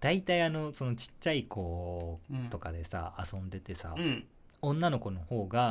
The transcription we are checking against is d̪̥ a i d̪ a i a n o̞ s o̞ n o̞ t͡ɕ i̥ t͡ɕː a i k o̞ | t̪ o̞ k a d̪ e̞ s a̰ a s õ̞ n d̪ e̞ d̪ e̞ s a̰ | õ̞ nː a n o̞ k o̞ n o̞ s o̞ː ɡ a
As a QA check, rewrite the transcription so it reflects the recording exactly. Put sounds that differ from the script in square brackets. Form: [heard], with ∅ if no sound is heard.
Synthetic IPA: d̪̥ a i [t̪] a i a n o̞ s o̞ n o̞ t͡ɕ i̥ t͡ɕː a i k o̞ | t̪ o̞ k a d̪ e̞ s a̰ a s õ̞ n d̪ e̞ [t̪] e̞ s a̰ | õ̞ nː a n o̞ k o̞ n o̞ [h] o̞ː ɡ a